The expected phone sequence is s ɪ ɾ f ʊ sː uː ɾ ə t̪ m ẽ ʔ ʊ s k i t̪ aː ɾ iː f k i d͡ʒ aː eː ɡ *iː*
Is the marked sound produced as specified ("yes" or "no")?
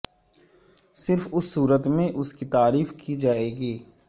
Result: yes